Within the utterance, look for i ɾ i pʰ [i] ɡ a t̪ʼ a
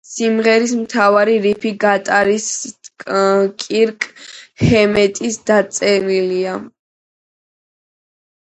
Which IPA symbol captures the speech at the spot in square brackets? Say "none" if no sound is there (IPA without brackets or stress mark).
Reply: i